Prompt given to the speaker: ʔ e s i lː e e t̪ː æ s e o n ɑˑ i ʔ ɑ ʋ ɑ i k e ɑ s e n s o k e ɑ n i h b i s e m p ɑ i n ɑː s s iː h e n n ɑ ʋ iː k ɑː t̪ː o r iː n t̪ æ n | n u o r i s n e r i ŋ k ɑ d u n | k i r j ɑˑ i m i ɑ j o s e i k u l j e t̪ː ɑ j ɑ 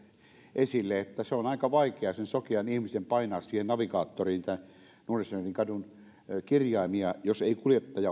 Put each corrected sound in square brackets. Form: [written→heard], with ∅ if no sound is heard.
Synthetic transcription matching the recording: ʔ e s i lː e e t̪ː æ s e o n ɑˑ i [ʔ→k] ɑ ʋ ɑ i k e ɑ s e n s o k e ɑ n i h [b→m] i s e m p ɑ i n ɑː s s iː h e n n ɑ ʋ [iː→i] k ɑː t̪ː o r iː n t̪ æ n | n u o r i s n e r i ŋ k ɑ d u n | k i r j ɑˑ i m i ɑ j o s e i k u l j e t̪ː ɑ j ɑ